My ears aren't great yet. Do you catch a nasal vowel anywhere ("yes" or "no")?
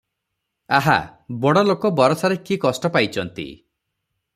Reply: no